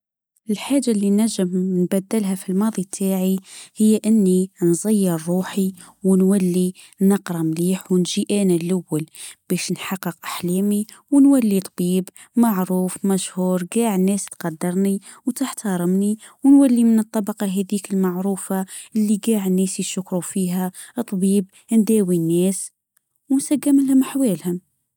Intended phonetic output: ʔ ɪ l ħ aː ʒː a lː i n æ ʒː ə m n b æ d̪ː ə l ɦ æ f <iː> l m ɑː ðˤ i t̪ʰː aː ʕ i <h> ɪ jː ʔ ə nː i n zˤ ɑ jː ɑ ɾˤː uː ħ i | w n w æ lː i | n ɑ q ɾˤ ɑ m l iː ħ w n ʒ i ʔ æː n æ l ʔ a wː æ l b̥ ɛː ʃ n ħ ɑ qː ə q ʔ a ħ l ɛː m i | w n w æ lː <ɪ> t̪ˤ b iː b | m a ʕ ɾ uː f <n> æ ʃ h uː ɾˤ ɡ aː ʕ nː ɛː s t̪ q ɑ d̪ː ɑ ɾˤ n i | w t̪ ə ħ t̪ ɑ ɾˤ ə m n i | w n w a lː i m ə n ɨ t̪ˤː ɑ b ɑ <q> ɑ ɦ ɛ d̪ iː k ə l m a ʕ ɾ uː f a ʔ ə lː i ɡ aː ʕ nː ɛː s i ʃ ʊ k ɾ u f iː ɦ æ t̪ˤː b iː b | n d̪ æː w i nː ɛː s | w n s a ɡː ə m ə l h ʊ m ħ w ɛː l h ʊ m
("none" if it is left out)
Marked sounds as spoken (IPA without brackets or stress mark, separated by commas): i, h, i, m, q